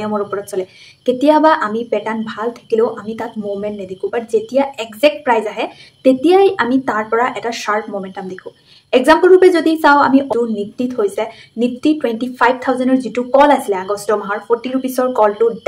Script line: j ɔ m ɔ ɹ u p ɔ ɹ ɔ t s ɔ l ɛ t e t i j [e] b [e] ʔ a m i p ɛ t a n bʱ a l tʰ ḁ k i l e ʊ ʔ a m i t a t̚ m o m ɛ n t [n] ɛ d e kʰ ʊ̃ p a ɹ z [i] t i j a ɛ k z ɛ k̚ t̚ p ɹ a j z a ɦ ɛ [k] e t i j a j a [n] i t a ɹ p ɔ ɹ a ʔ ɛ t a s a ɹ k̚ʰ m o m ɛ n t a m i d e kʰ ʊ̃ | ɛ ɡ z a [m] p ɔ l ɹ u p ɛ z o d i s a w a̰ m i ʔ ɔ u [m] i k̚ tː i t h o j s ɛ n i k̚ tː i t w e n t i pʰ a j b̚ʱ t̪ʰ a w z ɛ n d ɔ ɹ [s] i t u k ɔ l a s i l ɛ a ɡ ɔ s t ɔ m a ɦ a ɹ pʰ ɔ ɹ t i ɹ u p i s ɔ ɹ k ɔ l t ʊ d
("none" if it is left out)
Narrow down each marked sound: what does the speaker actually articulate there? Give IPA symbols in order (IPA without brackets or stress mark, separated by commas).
a, a, n, e, t, m, m, n, z